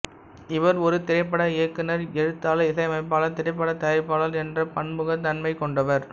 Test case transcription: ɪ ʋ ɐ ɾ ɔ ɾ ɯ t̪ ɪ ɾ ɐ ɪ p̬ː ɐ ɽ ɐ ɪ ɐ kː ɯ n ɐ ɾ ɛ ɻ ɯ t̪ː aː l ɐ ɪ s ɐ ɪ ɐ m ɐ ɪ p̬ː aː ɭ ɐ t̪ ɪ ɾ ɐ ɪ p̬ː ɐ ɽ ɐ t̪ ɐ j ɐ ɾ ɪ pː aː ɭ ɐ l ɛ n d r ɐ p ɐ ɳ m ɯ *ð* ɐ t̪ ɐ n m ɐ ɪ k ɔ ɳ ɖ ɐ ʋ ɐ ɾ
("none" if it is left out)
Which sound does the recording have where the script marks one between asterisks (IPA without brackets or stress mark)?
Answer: ɣ